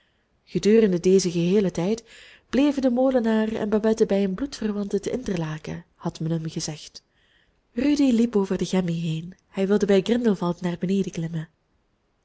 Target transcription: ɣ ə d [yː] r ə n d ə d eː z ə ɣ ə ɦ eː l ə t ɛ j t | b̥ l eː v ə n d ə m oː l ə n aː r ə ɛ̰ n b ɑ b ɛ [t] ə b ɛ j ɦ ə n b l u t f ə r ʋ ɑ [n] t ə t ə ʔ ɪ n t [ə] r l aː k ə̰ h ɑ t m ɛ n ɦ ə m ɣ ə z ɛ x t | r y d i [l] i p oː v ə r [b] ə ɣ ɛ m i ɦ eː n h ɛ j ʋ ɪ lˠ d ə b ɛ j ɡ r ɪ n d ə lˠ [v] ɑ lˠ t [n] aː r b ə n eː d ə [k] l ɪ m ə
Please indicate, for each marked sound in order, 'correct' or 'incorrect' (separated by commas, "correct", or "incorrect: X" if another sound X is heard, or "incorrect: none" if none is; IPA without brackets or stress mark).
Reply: correct, correct, correct, correct, correct, incorrect: d, correct, correct, correct